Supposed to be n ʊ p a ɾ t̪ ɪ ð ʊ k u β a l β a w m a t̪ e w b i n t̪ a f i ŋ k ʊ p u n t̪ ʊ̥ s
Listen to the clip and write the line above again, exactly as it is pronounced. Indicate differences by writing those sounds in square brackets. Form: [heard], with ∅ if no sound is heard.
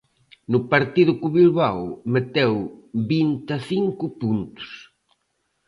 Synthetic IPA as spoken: n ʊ p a ɾ t̪ [i] ð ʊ k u β [i] l β a w m [e] t̪ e w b i n t̪ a [θ] i ŋ k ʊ p u n t̪ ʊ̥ s

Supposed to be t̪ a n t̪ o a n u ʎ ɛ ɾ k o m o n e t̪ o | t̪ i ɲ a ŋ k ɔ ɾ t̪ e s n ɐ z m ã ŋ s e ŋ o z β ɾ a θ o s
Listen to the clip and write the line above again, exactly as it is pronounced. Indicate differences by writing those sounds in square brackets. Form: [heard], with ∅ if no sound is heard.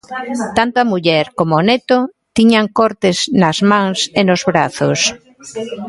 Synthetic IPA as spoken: t̪ a n t̪ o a [m] u ʎ ɛ ɾ k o m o n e t̪ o | t̪ i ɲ a ŋ k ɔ ɾ t̪ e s n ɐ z m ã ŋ s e [n] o z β ɾ a θ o s

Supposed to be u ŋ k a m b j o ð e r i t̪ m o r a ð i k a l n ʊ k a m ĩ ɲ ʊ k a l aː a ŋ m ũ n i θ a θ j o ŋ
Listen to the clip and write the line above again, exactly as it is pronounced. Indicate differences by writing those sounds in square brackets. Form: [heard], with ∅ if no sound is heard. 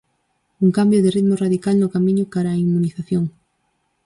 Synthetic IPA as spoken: u ŋ k a m b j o ð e r i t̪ m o r a ð i k a l n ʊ k a m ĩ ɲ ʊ k a [ɾ] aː [i] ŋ m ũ n i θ a θ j o ŋ

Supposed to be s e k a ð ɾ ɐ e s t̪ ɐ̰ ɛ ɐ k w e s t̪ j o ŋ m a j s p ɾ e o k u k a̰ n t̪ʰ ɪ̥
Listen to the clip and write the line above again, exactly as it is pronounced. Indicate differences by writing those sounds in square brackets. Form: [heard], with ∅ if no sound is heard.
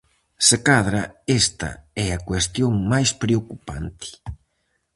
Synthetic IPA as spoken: s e k a ð ɾ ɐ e s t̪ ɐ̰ ɛ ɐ k w e s t̪ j o ŋ m a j s p ɾ e o k u [p] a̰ n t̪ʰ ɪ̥

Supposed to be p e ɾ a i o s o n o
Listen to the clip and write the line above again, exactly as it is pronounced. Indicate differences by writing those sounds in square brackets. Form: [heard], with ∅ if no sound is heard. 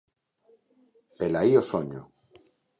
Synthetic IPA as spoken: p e [l] a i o s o [ɲ] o

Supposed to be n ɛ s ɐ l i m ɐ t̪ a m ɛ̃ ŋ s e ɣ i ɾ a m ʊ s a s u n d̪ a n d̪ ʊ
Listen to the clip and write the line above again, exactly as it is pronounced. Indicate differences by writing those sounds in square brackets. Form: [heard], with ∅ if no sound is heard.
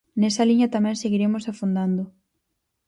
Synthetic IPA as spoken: n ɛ s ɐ l i [ɲ] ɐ t̪ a m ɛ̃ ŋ s e ɣ i ɾ [e] m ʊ s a [f] u n d̪ a n d̪ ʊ

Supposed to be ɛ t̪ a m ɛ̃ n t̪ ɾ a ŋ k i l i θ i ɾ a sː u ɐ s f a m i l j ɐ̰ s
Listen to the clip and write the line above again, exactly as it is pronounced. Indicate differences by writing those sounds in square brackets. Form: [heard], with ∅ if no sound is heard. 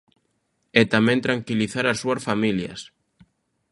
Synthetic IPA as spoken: ɛ t̪ a m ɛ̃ n t̪ ɾ a ŋ k i l i θ [a] ɾ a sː u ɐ s f a m i l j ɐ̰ s

